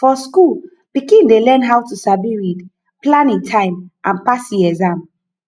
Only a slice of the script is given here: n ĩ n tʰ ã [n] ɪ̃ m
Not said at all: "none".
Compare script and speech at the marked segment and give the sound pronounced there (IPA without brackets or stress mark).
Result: none